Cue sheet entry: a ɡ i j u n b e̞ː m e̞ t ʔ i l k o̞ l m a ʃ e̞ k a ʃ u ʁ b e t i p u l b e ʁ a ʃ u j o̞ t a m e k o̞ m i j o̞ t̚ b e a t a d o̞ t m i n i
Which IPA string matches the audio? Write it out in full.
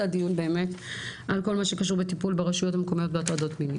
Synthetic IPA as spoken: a d i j u n b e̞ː m e̞ t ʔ a l k o̞ l m a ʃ e̞ k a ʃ u ʁ b e t i p u l b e ʁ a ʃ u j o̞ t a m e k o̞ m i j o̞ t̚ b e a t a d o̞ t m i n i